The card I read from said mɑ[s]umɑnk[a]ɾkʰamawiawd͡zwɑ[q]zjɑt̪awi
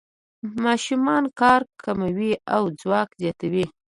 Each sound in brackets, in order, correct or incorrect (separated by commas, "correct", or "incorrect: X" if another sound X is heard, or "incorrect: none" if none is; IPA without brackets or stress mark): incorrect: ʃ, incorrect: ɑ, incorrect: k